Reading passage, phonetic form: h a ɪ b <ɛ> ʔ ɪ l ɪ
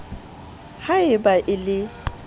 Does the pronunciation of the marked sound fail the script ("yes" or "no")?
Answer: yes